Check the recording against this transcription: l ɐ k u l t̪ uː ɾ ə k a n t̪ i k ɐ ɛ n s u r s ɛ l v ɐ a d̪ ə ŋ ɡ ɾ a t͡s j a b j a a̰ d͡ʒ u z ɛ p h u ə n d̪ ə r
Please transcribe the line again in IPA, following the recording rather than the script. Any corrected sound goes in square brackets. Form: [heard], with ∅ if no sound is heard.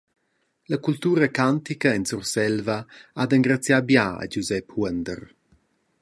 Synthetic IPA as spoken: l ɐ k u l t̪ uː ɾ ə k a n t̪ i k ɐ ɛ n s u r s ɛ l v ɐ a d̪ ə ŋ ɡ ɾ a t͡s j a b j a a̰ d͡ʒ u z ɛ p h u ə n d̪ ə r